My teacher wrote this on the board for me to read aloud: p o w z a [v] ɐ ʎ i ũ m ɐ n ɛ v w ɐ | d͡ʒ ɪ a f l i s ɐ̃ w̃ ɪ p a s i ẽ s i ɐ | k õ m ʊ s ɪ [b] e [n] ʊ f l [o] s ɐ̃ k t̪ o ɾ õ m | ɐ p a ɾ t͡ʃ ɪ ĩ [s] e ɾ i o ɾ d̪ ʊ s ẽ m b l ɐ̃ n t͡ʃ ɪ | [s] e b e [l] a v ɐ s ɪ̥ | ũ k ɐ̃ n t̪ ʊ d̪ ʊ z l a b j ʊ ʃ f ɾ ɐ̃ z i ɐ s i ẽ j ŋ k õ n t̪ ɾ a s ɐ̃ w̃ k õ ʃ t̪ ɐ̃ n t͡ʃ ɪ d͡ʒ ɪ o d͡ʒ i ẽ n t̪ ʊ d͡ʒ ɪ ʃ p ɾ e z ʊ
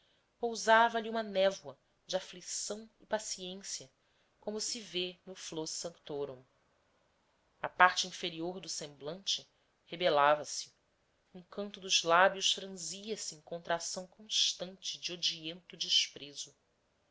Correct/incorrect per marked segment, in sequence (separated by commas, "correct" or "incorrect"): correct, incorrect, correct, correct, incorrect, incorrect, correct